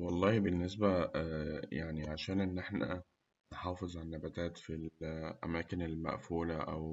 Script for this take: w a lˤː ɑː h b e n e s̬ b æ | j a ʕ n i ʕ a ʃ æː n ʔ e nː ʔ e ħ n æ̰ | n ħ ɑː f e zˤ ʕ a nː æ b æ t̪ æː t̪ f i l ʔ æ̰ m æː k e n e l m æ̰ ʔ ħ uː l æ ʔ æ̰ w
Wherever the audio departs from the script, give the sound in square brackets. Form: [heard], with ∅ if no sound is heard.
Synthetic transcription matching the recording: w [ɑ] lˤː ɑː h b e [nː] e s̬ b æ | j a ʕ n i ʕ a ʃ æː n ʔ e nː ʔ e ħ n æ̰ | n ħ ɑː f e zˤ ʕ a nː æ b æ t̪ æː t̪ f i l ʔ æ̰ m æː k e n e l m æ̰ ʔ [f] uː l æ ʔ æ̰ w